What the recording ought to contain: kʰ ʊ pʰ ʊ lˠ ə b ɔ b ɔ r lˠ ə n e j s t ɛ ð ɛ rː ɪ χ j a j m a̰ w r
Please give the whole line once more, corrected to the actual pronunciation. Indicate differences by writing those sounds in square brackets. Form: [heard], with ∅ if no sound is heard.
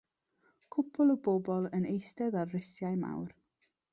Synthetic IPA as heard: kʰ ʊ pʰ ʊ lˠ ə b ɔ b ɔ [∅] lˠ ə n e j s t ɛ ð [a] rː ɪ [s] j a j m a̰ w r